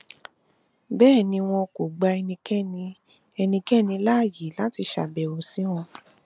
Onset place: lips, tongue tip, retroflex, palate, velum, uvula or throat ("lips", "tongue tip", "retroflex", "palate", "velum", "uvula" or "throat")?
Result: lips